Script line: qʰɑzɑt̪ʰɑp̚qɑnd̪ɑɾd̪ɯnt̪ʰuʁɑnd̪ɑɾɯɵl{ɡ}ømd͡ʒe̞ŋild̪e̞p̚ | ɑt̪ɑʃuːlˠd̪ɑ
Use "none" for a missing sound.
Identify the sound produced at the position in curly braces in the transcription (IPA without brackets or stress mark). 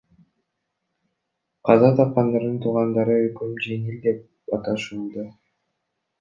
k